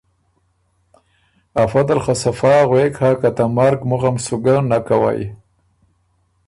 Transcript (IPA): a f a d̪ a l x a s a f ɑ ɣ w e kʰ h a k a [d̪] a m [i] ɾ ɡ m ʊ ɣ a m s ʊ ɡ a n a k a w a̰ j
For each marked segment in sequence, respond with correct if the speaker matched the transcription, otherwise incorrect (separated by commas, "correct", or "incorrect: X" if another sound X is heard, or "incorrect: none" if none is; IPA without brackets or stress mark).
incorrect: t̪, incorrect: a